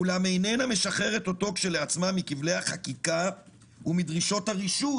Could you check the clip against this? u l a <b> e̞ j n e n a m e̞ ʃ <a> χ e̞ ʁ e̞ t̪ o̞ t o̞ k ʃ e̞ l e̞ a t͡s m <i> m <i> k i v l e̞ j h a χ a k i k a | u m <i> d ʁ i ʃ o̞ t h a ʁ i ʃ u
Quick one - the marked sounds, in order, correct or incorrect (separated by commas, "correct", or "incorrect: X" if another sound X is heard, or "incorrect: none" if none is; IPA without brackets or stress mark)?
incorrect: m, correct, incorrect: a, correct, correct